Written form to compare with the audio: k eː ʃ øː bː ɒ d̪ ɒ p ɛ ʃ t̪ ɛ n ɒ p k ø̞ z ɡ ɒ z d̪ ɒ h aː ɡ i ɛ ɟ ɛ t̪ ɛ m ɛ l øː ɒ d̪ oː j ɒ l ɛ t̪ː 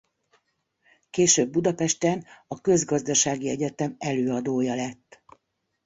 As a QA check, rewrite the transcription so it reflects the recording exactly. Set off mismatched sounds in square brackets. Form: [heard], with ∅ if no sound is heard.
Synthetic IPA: k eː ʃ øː bː [u] d̪ ɒ p ɛ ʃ t̪ ɛ n ɒ [∅] k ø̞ z ɡ ɒ z d̪ ɒ [ʃ] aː ɡ i ɛ ɟ ɛ t̪ ɛ m ɛ l øː ɒ d̪ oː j ɒ l ɛ t̪ː

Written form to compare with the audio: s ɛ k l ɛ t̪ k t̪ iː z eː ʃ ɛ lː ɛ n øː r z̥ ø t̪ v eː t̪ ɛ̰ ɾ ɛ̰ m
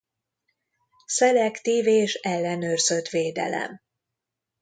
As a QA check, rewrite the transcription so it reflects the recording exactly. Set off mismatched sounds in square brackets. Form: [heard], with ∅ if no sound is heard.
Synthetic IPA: s ɛ [∅] l ɛ [∅] k t̪ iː [v] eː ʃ ɛ lː ɛ n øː r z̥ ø t̪ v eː [d̪] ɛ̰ [l] ɛ̰ m

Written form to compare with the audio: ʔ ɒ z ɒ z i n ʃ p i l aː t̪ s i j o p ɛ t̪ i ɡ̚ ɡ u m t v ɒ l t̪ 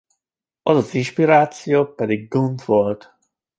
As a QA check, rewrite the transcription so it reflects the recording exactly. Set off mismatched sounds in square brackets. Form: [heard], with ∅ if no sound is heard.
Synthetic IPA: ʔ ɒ z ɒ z i n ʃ p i [ɾ] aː t̪ s i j o p ɛ [d̪] i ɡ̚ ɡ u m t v [o] l t̪

